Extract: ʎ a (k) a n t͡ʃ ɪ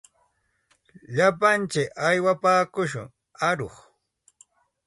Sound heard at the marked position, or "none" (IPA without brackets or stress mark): p